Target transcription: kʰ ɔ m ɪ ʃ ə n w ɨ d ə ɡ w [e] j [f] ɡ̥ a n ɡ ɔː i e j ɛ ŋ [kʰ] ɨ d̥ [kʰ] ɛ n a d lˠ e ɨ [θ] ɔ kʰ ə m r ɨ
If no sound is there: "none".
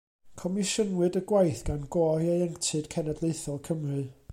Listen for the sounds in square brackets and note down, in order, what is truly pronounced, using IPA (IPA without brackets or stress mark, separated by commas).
a, θ, tʰ, kʰ, θ